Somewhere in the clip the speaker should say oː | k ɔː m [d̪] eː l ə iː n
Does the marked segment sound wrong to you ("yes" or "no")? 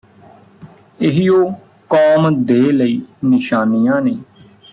no